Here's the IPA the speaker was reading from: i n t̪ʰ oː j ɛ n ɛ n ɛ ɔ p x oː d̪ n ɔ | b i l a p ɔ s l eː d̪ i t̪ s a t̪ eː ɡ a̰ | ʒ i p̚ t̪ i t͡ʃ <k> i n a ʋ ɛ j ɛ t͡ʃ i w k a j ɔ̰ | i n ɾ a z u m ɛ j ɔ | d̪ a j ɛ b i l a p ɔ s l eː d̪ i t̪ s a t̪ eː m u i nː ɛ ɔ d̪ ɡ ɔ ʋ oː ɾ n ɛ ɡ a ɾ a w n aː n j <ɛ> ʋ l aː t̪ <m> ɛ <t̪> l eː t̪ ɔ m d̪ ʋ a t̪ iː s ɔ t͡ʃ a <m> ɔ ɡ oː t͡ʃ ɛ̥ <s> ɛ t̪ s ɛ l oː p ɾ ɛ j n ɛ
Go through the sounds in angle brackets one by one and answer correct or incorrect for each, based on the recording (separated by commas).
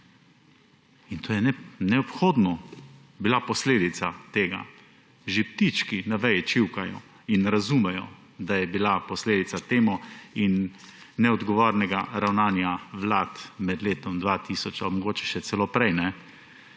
correct, incorrect, correct, incorrect, correct, incorrect